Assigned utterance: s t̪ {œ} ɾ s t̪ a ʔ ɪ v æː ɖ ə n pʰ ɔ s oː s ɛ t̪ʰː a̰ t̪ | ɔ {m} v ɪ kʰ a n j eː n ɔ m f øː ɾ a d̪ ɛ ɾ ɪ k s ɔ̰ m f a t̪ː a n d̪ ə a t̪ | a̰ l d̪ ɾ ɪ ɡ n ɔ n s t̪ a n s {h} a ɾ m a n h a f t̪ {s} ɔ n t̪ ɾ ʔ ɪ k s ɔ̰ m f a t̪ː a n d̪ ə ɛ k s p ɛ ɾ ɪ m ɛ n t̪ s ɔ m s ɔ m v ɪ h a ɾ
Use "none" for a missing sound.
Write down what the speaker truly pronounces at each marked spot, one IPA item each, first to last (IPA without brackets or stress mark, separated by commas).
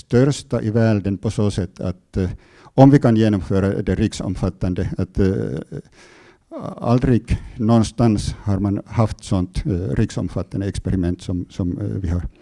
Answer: œ, m, h, s